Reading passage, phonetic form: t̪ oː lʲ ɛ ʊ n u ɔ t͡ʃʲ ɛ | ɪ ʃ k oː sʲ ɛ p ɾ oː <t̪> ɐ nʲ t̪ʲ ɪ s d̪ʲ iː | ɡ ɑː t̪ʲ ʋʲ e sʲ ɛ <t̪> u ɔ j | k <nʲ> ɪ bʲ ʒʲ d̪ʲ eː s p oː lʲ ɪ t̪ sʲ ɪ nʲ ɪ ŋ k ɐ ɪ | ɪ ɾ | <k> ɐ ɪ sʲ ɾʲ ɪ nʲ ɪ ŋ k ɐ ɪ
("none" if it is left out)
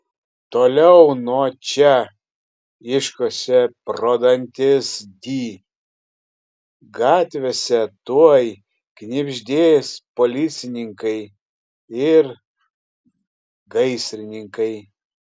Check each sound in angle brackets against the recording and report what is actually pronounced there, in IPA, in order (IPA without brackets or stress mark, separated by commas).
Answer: d̪, t̪, nʲ, ɡ